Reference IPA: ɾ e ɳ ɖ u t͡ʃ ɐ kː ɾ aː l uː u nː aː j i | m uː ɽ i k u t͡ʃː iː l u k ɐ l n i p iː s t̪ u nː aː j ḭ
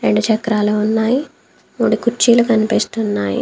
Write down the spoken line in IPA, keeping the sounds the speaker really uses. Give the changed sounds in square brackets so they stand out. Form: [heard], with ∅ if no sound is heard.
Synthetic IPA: ɾ e ɳ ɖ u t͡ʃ ɐ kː ɾ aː l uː u nː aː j i | m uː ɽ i k u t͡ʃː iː l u k ɐ [∅] n i p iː s t̪ u nː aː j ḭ